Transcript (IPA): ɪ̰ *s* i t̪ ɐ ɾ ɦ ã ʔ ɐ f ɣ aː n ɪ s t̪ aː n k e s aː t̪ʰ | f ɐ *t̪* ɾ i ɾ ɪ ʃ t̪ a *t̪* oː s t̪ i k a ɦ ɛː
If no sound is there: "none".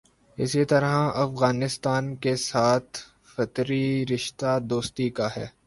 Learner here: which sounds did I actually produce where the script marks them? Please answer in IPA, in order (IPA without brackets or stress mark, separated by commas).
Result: s, t̪, d̪